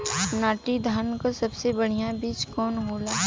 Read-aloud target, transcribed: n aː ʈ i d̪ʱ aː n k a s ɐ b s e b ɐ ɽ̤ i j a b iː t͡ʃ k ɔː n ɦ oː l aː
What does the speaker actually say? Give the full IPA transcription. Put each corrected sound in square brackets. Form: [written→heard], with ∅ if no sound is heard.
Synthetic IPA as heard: n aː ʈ i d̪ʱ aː n k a s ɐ b s e b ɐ ɽ̤ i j a b iː t͡ʃ k ɔː n ɦ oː l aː